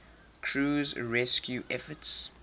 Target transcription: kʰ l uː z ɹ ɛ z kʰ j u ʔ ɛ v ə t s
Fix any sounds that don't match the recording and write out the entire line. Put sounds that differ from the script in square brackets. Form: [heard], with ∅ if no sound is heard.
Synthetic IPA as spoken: kʰ [ɹ] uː z ɹ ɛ [s] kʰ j u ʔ ɛ [f] ə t s